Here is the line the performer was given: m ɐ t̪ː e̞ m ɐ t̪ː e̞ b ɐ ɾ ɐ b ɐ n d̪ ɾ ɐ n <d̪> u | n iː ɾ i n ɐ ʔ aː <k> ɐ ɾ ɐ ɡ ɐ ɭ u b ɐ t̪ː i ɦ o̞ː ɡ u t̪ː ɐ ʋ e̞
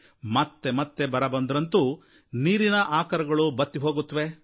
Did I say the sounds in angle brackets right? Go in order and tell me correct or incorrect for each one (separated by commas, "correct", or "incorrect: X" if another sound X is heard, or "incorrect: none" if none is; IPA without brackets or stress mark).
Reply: incorrect: t̪, correct